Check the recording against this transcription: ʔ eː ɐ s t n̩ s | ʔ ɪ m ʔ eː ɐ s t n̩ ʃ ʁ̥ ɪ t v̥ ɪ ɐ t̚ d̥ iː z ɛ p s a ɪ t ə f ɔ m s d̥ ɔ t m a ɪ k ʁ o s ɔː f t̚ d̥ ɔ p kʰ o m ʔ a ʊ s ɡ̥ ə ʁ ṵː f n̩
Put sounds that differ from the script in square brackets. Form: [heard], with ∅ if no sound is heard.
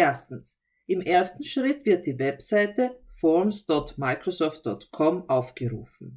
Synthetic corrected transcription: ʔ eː ɐ s t n̩ s | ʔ ɪ m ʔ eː ɐ s t n̩ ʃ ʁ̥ ɪ t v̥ ɪ ɐ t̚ d̥ iː [v] ɛ p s a ɪ t ə f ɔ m s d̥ ɔ t m a ɪ k ʁ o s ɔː f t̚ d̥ ɔ [t] kʰ [ɔ] m ʔ a ʊ [f] ɡ̥ ə ʁ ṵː f n̩